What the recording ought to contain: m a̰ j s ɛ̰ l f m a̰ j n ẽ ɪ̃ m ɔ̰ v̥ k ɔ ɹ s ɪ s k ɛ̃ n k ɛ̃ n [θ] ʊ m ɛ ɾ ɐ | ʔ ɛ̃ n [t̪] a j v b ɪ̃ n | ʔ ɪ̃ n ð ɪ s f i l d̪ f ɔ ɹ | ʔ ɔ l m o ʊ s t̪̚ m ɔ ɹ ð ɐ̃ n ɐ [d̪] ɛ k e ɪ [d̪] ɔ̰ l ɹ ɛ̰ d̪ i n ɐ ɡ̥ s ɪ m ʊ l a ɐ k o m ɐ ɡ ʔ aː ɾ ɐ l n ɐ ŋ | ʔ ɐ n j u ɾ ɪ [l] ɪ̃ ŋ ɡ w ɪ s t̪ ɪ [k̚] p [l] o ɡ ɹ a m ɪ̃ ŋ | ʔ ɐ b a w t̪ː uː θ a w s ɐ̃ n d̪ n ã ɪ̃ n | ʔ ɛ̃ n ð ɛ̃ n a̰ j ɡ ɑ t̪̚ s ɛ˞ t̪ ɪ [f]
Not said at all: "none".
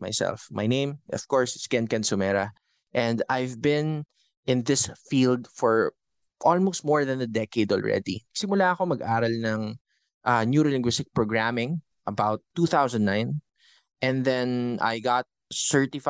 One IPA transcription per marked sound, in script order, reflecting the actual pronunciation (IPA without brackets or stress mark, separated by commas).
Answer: s, d̪, d̪, d̪, l, k̚, ɹ, f